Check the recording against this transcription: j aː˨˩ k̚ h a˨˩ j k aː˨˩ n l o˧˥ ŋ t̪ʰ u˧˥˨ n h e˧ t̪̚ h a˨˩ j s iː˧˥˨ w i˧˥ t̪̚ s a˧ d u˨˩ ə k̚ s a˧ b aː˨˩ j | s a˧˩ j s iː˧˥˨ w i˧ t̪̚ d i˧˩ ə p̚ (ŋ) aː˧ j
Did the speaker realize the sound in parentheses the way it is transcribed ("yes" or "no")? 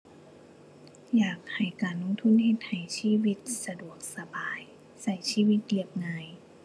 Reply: yes